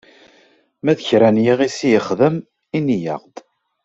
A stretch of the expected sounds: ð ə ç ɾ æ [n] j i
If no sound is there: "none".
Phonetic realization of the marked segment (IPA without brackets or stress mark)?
n